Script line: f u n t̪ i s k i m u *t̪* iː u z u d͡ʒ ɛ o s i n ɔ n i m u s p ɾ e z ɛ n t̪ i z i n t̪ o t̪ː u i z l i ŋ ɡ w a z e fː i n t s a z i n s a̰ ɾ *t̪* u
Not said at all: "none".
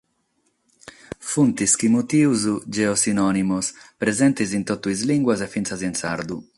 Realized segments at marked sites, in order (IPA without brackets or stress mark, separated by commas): t̪, d̪